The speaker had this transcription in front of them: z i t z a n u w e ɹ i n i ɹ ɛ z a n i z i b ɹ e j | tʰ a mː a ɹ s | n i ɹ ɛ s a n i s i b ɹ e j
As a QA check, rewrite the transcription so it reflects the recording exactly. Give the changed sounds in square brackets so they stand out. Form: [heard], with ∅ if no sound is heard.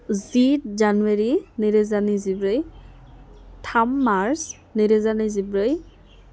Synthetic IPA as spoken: z i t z a n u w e ɹ i n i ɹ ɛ z a n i z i b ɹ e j | tʰ a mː a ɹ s | n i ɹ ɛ [z] a n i [z] i b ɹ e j